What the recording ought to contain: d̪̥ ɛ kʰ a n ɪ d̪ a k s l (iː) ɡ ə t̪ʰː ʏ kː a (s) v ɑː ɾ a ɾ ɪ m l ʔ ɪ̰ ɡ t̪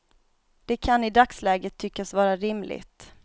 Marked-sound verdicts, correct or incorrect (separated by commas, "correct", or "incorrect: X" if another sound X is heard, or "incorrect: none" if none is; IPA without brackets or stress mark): incorrect: ɛː, correct